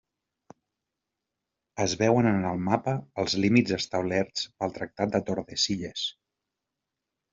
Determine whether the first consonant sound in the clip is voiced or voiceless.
voiced